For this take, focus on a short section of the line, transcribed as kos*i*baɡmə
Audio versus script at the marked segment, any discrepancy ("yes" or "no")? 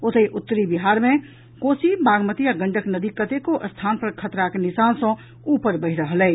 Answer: no